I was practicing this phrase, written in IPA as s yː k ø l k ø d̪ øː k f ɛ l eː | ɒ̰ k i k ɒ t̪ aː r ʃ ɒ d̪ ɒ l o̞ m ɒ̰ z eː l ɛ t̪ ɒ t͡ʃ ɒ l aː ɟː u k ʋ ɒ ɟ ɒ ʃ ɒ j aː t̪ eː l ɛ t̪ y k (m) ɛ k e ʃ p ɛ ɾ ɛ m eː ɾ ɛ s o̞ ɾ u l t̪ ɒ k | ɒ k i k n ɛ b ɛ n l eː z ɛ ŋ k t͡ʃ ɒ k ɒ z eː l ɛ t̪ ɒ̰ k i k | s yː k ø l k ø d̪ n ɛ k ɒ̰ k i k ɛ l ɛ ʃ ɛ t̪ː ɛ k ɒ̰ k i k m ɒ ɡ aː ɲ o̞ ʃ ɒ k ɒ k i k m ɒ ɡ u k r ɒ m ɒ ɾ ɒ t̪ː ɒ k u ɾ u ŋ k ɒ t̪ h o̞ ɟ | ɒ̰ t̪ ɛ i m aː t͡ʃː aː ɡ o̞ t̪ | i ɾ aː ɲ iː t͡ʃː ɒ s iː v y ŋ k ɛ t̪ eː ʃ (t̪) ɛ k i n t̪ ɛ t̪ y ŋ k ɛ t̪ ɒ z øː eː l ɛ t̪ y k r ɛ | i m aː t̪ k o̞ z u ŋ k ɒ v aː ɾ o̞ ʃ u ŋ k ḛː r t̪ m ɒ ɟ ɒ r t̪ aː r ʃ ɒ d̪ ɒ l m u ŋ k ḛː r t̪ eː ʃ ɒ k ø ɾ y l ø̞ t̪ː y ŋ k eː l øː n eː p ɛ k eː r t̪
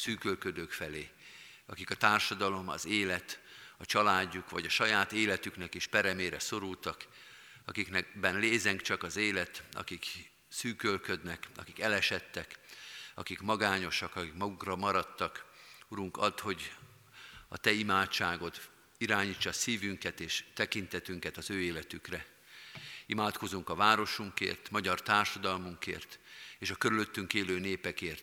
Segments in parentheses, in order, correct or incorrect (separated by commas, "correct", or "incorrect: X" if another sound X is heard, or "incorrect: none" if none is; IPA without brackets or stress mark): incorrect: n, correct